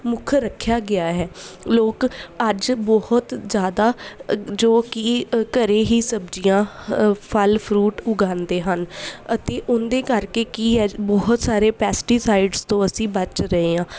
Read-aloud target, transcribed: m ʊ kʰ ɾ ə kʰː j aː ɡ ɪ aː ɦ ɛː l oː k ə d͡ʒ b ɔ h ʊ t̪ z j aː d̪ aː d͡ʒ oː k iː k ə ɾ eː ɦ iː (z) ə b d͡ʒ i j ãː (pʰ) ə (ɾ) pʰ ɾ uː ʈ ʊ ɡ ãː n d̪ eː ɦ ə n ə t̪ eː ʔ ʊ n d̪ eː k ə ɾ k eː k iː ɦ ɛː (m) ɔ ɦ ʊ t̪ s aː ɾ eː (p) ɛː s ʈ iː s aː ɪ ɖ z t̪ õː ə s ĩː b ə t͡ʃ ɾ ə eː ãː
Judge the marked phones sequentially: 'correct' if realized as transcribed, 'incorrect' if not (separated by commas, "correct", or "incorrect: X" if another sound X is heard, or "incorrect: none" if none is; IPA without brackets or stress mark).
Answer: incorrect: s, correct, incorrect: l, incorrect: b, correct